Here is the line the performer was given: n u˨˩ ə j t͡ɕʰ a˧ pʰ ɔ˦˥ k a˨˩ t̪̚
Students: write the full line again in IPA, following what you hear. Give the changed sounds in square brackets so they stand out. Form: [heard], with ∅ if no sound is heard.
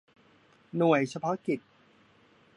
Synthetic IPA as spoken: n u˨˩ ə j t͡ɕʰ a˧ pʰ ɔ˦˥ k [i˨˩] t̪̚